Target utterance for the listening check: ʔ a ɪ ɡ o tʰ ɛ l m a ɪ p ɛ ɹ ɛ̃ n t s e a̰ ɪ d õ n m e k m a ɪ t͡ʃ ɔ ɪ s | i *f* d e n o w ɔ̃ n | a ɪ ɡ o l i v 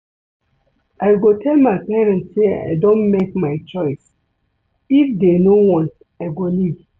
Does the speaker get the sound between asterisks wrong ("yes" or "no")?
no